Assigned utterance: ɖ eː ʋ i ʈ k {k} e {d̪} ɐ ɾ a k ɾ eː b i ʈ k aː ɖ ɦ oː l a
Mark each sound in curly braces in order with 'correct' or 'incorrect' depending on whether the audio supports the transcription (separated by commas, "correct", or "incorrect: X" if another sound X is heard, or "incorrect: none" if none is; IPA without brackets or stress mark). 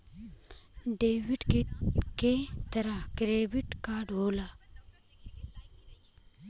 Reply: correct, incorrect: t̪